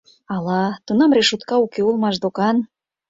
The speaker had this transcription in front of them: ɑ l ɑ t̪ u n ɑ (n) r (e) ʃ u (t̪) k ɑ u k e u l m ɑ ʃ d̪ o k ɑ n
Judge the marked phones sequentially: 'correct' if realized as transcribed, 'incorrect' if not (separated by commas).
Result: incorrect, correct, correct